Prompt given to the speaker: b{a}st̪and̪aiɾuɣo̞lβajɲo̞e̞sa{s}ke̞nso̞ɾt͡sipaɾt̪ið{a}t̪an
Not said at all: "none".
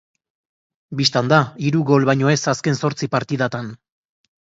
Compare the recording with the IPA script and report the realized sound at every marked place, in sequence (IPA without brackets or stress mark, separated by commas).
i, s, a